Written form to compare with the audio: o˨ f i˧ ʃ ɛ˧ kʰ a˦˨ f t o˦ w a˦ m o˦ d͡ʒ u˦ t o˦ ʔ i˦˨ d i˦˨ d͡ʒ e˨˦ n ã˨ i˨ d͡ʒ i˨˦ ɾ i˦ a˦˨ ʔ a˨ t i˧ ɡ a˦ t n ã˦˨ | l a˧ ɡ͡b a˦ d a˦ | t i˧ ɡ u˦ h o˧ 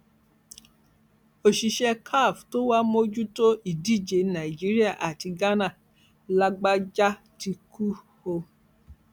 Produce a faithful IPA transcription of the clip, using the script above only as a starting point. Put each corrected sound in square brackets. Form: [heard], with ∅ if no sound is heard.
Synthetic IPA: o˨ [ʃ] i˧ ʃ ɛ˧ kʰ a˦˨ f t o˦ w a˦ m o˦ d͡ʒ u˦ t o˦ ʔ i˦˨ d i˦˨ d͡ʒ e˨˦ n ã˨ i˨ d͡ʒ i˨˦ ɾ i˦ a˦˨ ʔ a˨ t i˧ ɡ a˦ [∅] n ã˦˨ | l a˧ ɡ͡b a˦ [d͡ʒ] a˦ | t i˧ [k] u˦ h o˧